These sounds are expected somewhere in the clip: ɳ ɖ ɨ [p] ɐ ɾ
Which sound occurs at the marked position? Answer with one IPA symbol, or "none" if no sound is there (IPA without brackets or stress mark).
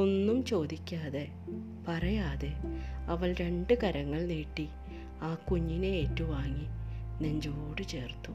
k